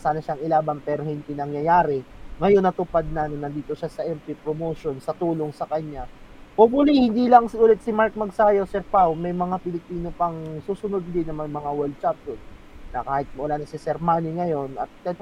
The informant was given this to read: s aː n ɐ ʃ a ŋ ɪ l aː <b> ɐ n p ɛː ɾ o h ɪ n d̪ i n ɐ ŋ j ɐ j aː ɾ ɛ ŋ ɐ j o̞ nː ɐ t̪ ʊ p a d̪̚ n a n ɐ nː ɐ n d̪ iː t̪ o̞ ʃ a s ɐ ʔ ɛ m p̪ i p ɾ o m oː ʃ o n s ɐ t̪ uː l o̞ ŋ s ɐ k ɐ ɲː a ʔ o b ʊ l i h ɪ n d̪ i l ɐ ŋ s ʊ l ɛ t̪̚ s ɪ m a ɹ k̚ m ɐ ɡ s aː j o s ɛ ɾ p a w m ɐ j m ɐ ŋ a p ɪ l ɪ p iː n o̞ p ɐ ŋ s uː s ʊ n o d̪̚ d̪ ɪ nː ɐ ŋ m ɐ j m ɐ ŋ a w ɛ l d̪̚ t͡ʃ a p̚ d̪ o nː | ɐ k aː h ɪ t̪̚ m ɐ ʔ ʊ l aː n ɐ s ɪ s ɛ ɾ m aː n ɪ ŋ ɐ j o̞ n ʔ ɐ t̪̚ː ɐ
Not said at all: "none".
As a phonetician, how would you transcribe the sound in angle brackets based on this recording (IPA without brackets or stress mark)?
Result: b